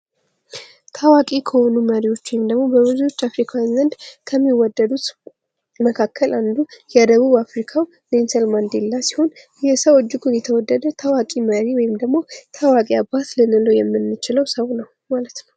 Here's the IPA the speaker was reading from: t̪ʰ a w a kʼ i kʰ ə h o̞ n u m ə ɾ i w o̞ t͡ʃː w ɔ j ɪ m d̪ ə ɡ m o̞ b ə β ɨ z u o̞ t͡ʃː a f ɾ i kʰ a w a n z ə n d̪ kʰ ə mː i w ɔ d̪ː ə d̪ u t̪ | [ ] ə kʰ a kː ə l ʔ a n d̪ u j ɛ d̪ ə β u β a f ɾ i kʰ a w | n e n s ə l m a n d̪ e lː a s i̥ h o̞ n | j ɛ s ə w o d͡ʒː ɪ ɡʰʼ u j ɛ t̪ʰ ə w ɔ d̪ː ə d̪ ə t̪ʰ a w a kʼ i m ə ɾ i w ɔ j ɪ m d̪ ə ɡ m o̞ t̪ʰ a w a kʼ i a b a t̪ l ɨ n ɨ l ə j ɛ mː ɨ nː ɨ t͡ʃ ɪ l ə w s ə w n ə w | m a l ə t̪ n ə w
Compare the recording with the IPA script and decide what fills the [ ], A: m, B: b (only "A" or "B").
A